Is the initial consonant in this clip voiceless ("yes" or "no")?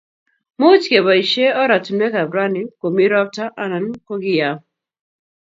no